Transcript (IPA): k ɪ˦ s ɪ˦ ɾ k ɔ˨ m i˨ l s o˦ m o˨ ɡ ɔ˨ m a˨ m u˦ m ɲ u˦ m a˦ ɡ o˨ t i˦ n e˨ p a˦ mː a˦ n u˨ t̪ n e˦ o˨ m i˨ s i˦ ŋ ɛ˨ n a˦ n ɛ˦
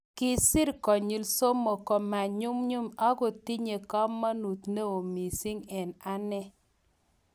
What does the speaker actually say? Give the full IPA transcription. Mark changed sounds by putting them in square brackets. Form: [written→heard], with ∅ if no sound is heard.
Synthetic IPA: k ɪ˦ s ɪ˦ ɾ k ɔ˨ [m→ɲ] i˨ l s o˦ m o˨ [ɡ→k] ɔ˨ m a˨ [m→ɲ] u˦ m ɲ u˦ m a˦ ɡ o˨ t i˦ [n→ɲ] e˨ [p→k] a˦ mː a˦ n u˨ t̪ n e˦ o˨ m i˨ s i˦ ŋ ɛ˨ n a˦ n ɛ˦

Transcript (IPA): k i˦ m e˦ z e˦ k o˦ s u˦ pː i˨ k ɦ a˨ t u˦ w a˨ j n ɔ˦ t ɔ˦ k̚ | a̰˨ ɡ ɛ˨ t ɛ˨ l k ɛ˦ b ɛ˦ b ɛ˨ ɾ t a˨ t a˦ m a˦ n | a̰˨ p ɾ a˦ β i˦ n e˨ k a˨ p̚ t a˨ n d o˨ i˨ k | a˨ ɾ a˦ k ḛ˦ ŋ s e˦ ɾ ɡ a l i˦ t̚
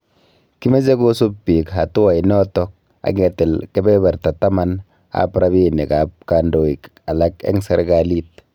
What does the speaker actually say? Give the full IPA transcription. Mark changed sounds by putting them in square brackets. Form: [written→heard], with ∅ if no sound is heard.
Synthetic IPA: k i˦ m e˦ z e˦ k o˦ s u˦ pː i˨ k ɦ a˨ t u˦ w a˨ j n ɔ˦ t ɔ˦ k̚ | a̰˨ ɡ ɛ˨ t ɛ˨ l k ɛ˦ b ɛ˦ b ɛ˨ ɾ t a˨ t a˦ m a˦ n | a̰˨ p ɾ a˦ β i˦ n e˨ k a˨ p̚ [t→k] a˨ n d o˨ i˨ k | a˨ [ɾ→l] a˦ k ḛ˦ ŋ s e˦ ɾ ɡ a l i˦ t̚

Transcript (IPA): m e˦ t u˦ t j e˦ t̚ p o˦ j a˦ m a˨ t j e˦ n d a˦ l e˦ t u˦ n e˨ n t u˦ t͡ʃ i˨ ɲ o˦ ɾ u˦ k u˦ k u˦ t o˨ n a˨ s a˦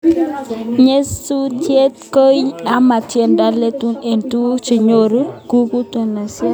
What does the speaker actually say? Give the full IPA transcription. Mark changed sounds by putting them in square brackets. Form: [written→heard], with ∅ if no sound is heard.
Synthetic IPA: [m→ɲ] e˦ [t→s] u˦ t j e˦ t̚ [p→k] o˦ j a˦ m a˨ t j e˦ n d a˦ l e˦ t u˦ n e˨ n t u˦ t͡ʃ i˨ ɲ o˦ ɾ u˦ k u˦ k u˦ t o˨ n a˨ s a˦

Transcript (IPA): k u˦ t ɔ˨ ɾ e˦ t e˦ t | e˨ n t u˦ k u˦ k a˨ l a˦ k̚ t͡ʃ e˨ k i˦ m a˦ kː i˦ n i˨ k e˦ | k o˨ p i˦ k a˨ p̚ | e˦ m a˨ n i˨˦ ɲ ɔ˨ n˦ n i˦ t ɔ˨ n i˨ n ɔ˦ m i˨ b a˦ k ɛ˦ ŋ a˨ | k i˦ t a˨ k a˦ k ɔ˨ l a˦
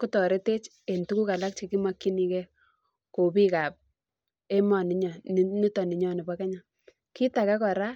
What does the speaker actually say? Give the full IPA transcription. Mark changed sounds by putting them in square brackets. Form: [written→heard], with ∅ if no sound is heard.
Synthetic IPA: k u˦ t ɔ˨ ɾ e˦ t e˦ [t→t͡ʃ] | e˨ n t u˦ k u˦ k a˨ l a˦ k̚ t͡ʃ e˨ k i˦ m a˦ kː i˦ n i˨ k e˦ | k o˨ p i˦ k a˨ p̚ | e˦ m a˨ n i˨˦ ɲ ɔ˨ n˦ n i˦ t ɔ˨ n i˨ [n→ɲ] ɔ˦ [m→n] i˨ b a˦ k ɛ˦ [ŋ→ɲ] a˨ | k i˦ t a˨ k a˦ k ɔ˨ [l→ɾ] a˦

